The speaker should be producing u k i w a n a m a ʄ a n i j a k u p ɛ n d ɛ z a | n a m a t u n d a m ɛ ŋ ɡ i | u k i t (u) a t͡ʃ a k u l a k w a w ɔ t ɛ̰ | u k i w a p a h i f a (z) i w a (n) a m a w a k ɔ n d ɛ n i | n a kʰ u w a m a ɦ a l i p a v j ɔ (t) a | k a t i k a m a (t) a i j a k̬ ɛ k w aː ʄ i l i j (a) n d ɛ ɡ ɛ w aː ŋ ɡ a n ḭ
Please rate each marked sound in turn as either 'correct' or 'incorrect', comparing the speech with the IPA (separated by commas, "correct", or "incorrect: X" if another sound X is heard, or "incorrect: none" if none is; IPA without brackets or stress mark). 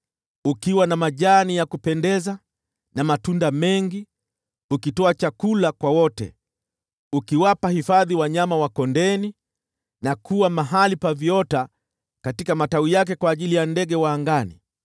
incorrect: ɔ, incorrect: ð, incorrect: ɲ, correct, correct, correct